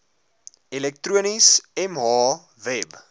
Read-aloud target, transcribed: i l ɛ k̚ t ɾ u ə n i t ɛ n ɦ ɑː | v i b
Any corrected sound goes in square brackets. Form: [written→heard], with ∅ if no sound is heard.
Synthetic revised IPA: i l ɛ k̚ t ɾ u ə n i [t→s] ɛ [n→m] ɦ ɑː | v [i→ɛ] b